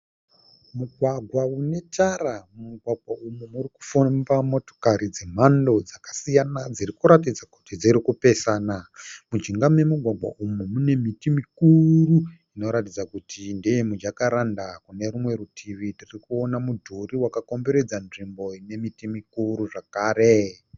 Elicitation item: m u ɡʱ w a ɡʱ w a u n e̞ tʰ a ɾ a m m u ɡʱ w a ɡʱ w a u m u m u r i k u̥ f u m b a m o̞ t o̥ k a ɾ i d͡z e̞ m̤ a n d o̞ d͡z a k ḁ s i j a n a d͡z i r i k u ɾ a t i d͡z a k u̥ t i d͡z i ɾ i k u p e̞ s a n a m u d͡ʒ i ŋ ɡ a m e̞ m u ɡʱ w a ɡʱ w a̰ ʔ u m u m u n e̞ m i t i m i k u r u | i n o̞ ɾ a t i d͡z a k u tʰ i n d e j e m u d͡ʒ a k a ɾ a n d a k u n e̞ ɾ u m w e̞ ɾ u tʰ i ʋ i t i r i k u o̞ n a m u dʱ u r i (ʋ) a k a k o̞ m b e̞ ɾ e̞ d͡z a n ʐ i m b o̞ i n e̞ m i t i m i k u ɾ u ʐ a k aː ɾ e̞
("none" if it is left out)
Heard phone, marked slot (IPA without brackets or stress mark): w